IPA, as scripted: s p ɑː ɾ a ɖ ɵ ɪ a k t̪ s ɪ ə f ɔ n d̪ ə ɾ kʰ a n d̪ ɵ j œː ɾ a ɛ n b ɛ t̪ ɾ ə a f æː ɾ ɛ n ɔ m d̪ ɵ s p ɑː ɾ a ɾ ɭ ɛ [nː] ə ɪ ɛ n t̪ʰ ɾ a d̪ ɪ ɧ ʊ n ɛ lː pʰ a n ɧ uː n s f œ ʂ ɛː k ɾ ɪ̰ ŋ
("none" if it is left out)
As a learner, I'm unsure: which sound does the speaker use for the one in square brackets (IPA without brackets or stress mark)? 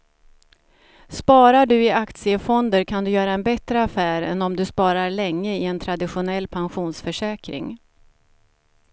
ŋː